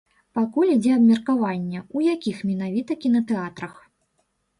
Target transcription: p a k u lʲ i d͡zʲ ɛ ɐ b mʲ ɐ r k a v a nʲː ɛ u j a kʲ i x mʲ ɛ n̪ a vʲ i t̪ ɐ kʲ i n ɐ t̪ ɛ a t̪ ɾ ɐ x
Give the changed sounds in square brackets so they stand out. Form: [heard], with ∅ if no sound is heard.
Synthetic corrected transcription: p a k u lʲ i d͡zʲ ɛ ɐ b mʲ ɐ r k a v a nʲː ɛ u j a kʲ i x mʲ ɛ n̪ a vʲ i t̪ ɐ kʲ i n ɐ t̪ ɛ a t̪ ɾ ɐ x